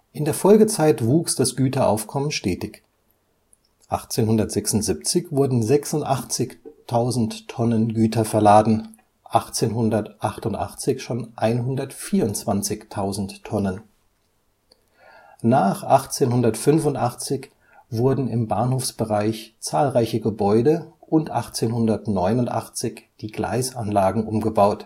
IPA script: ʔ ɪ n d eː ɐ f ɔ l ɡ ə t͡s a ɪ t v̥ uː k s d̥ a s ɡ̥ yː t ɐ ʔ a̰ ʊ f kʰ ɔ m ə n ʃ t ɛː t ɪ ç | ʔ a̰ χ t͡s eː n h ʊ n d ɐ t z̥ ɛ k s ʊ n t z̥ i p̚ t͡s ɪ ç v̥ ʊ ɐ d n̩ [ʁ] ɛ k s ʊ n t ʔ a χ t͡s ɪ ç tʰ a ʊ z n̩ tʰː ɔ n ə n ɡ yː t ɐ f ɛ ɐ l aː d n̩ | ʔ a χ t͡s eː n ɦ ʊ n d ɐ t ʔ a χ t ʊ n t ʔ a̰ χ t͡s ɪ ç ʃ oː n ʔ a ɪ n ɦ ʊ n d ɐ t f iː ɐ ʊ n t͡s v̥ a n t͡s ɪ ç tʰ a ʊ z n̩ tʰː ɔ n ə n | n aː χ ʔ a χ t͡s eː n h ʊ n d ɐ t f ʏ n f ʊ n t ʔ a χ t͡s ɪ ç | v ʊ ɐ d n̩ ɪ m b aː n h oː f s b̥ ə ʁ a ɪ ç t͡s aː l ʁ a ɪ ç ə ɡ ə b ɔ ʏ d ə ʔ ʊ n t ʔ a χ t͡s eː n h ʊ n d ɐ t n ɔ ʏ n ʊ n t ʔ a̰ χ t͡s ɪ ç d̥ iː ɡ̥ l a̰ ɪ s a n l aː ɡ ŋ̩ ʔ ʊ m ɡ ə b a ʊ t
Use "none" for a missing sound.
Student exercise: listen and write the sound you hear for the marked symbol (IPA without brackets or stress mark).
z